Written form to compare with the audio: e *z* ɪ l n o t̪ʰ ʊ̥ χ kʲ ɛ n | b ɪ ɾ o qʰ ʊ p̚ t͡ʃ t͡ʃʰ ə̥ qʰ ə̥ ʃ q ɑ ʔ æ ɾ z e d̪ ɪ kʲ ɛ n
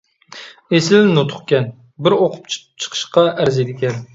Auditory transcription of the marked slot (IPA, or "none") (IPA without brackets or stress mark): s